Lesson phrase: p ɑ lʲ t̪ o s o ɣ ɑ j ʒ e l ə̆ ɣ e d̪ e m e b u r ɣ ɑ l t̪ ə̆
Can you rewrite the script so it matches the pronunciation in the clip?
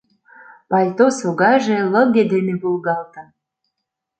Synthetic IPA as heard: p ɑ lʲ t̪ o s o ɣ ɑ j ʒ e l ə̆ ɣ e d̪ e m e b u l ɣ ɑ l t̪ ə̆